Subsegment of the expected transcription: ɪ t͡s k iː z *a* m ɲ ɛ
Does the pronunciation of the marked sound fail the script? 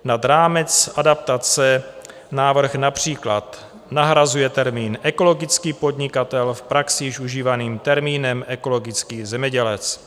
yes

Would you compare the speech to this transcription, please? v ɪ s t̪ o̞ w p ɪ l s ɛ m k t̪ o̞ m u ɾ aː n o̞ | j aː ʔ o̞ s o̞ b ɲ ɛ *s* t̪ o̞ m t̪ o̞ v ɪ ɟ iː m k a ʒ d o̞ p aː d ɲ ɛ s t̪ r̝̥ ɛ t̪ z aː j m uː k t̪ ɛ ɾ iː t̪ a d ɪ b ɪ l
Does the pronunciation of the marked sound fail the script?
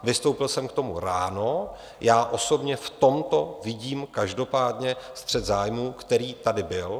yes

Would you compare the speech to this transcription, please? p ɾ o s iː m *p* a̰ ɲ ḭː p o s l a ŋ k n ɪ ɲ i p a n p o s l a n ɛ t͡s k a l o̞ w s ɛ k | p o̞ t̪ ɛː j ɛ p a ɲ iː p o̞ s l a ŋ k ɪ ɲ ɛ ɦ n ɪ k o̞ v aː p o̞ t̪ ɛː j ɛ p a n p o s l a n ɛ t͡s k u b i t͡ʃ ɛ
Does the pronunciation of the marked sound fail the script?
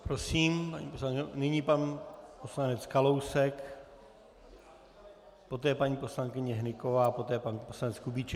no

